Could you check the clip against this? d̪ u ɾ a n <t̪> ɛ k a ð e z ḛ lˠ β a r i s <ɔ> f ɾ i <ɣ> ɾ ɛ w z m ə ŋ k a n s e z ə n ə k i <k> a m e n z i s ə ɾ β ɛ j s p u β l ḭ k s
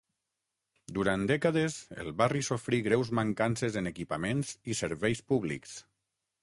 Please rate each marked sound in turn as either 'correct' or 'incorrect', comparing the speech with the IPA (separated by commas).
incorrect, incorrect, correct, incorrect